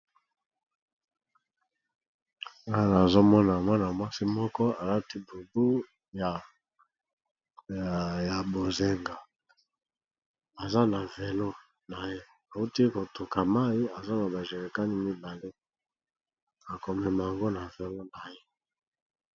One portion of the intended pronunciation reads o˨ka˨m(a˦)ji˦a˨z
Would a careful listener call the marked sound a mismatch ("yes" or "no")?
no